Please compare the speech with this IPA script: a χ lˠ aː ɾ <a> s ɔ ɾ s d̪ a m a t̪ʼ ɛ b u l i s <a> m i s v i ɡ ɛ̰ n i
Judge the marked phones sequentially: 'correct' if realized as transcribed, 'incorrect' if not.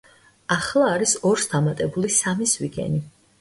incorrect: i, correct

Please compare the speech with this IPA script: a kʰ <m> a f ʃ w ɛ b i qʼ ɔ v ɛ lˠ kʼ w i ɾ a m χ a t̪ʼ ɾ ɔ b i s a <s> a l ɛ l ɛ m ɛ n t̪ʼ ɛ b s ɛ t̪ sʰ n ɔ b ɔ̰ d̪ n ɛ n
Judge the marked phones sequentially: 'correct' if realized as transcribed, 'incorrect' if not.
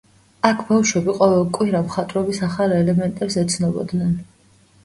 incorrect: b, incorrect: χ

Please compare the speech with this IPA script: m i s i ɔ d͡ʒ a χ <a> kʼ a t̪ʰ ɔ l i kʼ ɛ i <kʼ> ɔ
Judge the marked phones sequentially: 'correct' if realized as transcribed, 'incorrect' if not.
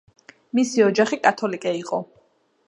incorrect: i, incorrect: qʼ

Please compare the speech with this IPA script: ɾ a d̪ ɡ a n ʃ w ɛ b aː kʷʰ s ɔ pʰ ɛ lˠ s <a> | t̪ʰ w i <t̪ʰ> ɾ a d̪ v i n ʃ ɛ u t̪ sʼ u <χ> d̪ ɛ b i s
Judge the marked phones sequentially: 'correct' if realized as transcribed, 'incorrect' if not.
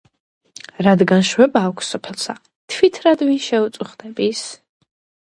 correct, correct, correct

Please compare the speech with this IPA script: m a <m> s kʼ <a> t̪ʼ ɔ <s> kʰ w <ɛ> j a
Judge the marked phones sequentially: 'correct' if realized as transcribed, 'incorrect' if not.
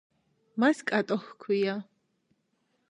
incorrect: none, correct, incorrect: x, incorrect: i

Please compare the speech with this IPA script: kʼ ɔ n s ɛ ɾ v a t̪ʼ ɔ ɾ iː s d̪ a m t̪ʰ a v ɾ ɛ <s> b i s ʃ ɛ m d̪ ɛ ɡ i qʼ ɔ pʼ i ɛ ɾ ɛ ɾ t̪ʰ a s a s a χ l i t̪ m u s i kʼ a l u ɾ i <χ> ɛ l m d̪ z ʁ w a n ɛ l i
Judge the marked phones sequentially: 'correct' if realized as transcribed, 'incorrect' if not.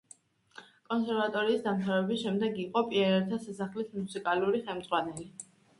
incorrect: none, correct

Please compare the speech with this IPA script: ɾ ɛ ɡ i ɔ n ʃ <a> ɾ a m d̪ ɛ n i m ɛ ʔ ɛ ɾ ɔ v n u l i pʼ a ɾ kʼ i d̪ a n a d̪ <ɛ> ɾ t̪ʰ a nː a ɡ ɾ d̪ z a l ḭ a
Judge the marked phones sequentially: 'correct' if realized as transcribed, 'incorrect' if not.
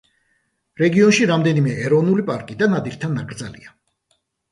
incorrect: i, incorrect: i

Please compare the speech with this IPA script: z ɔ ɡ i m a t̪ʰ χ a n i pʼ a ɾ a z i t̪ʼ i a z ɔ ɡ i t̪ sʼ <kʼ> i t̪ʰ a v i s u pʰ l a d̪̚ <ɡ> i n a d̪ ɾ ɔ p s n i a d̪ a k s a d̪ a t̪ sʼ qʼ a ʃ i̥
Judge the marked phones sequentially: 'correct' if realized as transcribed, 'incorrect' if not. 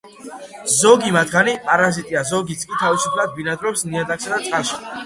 correct, incorrect: b

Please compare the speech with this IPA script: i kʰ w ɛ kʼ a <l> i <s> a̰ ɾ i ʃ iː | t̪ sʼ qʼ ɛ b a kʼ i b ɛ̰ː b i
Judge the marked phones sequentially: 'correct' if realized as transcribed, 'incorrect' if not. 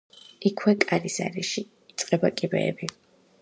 incorrect: ɾ, correct

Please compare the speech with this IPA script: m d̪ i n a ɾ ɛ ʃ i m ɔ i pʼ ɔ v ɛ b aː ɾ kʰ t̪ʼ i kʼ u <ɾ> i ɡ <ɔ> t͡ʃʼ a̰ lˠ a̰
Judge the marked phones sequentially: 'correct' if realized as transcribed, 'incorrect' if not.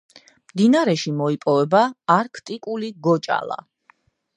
incorrect: l, correct

